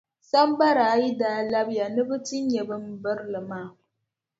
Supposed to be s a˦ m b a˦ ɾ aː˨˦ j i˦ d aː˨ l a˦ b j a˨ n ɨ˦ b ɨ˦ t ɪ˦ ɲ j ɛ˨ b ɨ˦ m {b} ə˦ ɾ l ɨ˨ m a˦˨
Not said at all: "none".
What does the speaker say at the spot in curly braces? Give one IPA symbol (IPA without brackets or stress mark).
b